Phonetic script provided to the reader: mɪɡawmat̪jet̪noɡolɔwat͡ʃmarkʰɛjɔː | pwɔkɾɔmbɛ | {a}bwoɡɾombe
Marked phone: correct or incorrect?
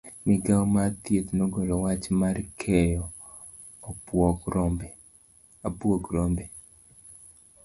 correct